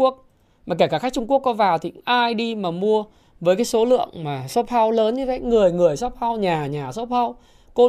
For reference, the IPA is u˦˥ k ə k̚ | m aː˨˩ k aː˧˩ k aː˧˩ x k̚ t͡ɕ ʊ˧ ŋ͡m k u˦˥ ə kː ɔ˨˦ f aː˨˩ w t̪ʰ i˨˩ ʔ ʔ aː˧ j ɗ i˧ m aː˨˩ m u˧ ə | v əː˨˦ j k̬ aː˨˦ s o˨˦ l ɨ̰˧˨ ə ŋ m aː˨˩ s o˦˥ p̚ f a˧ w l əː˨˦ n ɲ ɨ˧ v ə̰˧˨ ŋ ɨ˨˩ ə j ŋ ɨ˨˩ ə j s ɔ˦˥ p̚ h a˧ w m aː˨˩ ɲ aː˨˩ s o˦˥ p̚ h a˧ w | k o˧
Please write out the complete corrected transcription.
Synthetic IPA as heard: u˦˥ ə k̚ | m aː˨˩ k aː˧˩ k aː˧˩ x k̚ t͡ɕ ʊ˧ ŋ͡m k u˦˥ ə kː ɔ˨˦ v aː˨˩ w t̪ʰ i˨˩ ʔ ʔ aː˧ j ɗ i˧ m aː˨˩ m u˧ ə | v əː˨˦ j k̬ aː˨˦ s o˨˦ l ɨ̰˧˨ ə ŋ m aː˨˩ s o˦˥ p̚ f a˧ w l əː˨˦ n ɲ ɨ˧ v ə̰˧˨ ŋ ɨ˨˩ ə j ŋ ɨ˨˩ ə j s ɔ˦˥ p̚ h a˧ w ɲ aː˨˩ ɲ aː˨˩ s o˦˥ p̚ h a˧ w | k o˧